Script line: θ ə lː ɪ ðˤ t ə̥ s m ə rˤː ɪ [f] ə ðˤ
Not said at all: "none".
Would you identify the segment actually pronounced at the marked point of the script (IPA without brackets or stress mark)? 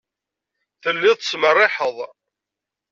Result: ħ